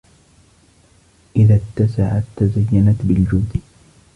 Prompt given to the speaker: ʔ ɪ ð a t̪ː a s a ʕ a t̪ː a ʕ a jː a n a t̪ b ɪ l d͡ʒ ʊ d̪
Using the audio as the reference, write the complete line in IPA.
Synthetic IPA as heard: ʔ ɪ ð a t̪ː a s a ʕ a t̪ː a z a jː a n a t̪ b ɪ l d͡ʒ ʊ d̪